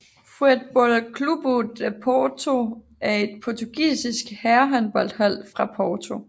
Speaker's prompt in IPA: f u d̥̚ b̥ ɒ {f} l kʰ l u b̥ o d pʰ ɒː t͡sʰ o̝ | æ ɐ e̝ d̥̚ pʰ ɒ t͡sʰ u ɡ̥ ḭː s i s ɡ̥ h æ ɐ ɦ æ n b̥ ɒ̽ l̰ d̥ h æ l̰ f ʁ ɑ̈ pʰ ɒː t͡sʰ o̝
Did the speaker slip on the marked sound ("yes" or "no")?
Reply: yes